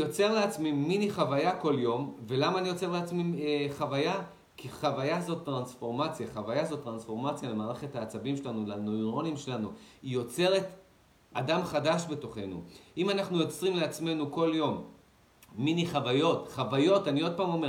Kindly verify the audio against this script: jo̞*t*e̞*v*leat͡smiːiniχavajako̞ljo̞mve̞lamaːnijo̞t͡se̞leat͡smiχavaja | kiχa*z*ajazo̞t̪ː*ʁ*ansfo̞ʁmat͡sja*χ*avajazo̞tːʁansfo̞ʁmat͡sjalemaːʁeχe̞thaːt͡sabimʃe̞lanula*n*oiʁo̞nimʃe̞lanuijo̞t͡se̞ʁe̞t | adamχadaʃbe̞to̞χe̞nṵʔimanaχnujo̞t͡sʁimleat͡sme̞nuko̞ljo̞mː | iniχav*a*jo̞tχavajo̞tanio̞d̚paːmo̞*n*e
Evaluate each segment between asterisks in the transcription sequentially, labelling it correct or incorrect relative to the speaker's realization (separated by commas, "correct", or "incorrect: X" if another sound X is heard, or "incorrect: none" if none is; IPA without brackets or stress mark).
incorrect: t͡s, incorrect: ʁ, incorrect: v, correct, correct, correct, correct, incorrect: m